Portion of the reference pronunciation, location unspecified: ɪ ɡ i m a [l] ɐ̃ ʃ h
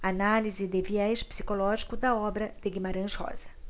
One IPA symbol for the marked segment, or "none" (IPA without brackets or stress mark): ɾ